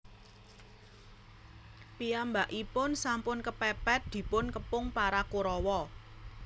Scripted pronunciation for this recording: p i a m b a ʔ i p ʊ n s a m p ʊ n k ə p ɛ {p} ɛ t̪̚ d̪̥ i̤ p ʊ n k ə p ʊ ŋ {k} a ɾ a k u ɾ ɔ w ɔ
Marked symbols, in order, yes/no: yes, no

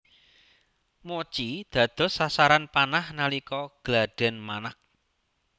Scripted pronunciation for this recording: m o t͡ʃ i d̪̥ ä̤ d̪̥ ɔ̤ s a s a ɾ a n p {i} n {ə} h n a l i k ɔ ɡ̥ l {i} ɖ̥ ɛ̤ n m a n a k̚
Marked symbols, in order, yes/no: no, no, no

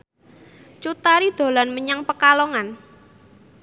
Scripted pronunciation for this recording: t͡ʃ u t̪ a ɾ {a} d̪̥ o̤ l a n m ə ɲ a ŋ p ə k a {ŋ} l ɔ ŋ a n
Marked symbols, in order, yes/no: no, no

